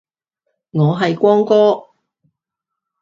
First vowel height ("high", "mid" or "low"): mid